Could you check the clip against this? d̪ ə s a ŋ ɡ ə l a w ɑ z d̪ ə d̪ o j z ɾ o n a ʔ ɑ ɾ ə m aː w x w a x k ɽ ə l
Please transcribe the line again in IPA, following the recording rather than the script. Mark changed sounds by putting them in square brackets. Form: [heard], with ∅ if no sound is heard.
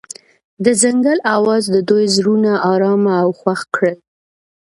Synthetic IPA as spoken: d̪ ə [z] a ŋ ɡ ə l a w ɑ z d̪ ə d̪ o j z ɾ [u] n a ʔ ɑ ɾ [ɑ] m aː w x w a x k ɽ ə l